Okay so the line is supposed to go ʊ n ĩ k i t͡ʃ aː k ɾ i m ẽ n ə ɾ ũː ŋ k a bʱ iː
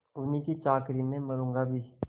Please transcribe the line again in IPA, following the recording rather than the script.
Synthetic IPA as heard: ʊ n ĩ k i t͡ʃ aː k ɾ i m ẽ m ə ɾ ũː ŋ ɡ a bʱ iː